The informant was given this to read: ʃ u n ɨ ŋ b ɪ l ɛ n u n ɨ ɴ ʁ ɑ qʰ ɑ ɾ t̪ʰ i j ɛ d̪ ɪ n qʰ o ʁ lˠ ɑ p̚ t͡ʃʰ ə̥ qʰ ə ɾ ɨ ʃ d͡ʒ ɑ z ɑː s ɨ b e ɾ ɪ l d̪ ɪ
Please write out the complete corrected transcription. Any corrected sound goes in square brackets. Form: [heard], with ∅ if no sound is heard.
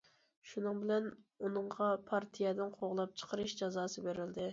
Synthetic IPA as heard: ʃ u n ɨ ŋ b ɪ l ɛ n u n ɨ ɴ ʁ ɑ [pʰ] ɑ ɾ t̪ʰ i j ɛ d̪ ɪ n qʰ o ʁ lˠ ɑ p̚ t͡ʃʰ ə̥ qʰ ə ɾ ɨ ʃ d͡ʒ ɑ z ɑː s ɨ b e ɾ ɪ l d̪ ɪ